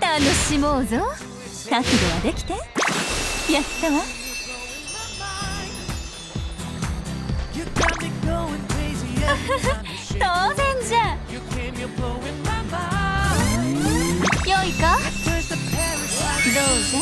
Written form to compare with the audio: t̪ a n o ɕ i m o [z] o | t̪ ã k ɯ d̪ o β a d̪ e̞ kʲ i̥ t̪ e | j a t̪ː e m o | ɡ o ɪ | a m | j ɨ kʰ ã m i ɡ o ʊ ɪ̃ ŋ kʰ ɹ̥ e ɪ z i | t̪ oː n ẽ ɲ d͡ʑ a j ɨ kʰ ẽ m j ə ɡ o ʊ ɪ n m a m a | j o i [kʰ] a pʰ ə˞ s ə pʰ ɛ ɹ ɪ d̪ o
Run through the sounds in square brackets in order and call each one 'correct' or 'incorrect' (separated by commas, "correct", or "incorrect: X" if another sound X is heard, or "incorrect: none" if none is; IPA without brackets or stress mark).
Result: correct, incorrect: k